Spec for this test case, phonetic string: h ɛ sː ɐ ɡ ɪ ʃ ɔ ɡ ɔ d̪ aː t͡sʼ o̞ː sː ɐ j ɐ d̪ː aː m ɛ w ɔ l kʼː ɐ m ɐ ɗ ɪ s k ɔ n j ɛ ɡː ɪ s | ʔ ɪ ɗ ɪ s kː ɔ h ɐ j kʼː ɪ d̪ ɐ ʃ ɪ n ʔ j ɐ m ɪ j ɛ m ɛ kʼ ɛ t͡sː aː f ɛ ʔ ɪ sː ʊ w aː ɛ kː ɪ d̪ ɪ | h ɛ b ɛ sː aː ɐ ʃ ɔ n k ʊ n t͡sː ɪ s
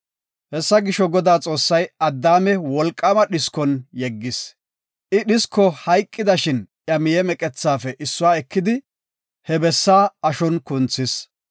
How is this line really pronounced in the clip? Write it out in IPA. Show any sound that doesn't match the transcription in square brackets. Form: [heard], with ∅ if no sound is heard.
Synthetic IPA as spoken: h ɛ sː ɐ ɡ ɪ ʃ ɔ ɡ ɔ d̪ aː t͡sʼ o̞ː sː ɐ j ɐ d̪ː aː m ɛ w ɔ l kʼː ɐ m ɐ ɗ ɪ s k ɔ n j ɛ ɡː ɪ s | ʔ ɪ ɗ ɪ s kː ɔ h ɐ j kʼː ɪ d̪ ɐ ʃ ɪ n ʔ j ɐ m ɪ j ɛ m ɛ kʼ ɛ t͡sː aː f ɛ ʔ ɪ sː ʊ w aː ɛ kː ɪ d̪ ɪ | h ɛ b ɛ sː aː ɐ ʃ ɔ n k ʊ n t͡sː ɪ s